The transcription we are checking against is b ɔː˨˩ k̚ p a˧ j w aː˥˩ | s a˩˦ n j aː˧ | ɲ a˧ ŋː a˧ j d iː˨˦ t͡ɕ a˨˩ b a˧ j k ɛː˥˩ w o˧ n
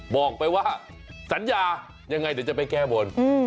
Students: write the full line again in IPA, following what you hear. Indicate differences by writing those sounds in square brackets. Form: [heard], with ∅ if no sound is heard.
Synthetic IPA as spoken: b ɔː˨˩ k̚ p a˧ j w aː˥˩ | s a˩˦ n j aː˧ | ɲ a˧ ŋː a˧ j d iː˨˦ t͡ɕ a˨˩ [p] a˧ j k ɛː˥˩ [b] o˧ n